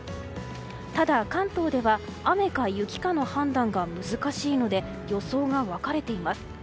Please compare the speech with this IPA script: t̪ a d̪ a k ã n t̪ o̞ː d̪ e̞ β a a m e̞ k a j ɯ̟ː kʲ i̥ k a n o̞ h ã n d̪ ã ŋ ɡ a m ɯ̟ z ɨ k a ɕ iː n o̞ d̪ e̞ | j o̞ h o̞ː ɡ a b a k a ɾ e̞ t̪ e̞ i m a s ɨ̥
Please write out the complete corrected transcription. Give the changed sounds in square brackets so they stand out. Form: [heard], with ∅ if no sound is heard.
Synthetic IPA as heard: t̪ a d̪ a k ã n t̪ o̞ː d̪ e̞ β a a m e̞ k a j [ɯ̟] kʲ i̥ k a n o̞ h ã n d̪ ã ŋ ɡ a m ɯ̟ z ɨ k a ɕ iː n o̞ d̪ e̞ | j o̞ [s] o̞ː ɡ a [β] a k a ɾ e̞ t̪ e̞ i m a s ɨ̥